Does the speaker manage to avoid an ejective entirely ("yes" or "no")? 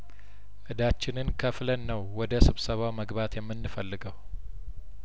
yes